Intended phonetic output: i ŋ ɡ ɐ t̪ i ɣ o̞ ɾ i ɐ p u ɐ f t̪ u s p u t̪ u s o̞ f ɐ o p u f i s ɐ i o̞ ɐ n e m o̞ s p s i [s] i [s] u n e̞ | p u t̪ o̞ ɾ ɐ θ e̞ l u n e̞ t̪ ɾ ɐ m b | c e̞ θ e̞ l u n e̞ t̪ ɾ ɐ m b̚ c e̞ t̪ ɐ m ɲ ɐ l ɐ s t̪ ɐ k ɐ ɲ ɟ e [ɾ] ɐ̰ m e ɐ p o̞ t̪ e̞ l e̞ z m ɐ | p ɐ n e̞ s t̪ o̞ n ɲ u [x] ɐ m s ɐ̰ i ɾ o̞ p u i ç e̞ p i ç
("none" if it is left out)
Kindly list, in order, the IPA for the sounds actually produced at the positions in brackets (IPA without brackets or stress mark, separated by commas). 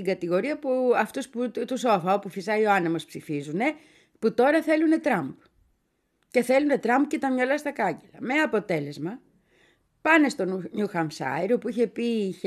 f, z, l, x